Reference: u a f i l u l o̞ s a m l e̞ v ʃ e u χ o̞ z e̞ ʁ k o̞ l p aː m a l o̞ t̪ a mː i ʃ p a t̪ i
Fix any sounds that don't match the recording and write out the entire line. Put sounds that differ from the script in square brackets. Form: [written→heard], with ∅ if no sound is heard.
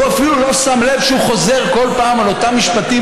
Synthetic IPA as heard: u a f i l u l o̞ s a m l e̞ v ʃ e u χ o̞ z e̞ ʁ k o̞ l p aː m a l o̞ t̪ a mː i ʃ p a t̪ i